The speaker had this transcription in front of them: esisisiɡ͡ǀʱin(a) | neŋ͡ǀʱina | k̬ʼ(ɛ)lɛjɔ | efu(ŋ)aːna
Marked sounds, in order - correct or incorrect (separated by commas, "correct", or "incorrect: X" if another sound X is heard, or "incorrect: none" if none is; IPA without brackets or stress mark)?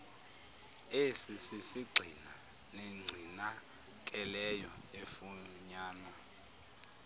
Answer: correct, correct, incorrect: ɲ